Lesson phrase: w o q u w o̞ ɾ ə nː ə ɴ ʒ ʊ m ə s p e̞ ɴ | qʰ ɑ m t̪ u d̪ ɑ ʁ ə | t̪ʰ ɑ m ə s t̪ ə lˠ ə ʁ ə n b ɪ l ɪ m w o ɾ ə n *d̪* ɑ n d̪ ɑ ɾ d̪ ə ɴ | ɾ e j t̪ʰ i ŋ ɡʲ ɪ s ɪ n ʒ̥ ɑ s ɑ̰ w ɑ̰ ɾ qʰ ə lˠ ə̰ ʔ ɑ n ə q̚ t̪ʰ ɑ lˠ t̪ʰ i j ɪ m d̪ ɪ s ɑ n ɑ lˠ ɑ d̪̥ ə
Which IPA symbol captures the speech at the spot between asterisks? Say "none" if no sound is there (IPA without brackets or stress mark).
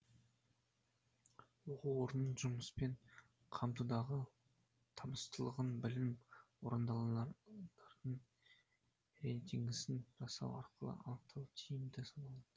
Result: d̪